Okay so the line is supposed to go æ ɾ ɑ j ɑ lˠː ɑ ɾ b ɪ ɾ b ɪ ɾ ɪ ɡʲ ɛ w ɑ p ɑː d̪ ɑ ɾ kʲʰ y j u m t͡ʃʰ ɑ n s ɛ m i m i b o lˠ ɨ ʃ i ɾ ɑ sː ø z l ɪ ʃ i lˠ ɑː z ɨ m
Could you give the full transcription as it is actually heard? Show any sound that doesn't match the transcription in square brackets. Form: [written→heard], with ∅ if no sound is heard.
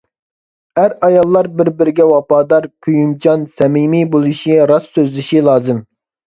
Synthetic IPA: æ ɾ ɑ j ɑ lˠː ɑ ɾ b ɪ ɾ b ɪ ɾ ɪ ɡʲ ɛ w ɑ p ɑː d̪ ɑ ɾ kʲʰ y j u m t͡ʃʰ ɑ n s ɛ m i m i b o lˠ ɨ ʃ i ɾ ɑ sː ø z l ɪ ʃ i lˠ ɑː z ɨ m